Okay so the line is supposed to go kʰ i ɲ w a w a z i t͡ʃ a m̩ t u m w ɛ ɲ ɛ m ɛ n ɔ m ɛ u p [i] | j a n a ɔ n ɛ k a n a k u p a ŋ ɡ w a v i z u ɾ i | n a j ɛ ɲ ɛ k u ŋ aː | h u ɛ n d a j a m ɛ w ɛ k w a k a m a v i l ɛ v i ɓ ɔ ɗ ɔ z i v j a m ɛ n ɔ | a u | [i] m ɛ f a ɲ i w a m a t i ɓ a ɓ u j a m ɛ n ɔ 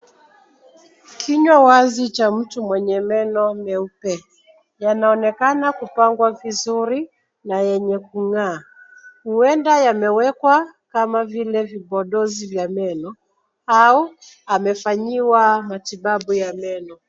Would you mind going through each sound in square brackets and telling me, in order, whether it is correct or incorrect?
incorrect, incorrect

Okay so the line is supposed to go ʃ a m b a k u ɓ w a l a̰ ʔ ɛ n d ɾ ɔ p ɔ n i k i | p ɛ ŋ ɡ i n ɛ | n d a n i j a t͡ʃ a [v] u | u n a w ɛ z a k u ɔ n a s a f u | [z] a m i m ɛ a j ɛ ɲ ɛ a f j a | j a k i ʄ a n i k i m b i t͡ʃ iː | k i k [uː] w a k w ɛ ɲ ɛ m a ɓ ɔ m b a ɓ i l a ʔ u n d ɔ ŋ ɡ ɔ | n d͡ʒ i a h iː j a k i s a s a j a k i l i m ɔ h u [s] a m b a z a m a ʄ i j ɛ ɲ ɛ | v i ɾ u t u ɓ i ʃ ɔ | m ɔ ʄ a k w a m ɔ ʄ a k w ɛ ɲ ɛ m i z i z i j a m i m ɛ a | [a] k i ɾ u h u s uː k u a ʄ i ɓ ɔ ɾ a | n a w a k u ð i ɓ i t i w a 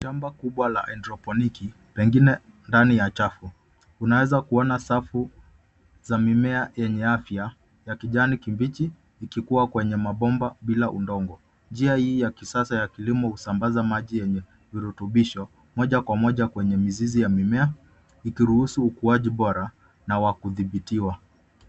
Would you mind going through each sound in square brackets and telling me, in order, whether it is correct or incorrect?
incorrect, correct, incorrect, correct, incorrect

